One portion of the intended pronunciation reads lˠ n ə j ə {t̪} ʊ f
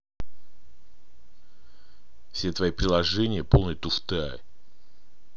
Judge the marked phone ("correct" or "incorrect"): correct